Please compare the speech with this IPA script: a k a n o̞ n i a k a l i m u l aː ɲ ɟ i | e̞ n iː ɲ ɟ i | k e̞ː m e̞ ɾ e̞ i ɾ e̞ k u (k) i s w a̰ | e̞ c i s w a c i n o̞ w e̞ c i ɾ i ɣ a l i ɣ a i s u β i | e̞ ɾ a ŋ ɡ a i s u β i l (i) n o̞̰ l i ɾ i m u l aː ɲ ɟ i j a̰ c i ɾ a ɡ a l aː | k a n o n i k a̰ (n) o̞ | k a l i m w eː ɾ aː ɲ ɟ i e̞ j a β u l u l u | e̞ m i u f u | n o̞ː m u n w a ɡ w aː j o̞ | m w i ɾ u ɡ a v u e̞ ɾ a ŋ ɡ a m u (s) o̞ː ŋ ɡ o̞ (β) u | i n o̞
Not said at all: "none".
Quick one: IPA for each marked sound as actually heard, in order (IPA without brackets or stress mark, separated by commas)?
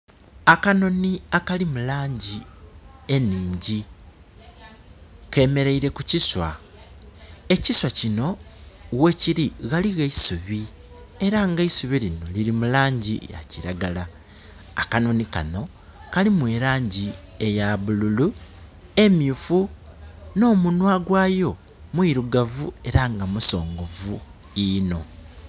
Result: c, i, n, s, v